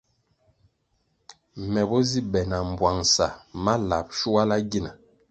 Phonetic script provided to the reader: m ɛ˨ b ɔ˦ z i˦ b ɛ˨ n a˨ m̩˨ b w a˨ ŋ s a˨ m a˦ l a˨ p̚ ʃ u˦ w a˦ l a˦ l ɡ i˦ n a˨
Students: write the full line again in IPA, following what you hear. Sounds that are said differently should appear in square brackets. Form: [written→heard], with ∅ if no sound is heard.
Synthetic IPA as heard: m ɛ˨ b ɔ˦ z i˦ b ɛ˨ n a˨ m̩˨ b w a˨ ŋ s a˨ m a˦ l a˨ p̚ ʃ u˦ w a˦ l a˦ [l→∅] ɡ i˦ n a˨